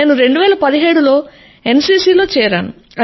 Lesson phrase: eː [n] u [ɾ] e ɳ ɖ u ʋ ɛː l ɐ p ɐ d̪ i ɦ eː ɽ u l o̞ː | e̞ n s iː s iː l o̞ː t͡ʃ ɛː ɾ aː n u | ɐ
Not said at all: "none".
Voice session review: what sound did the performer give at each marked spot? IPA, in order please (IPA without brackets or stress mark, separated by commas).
n, ɾ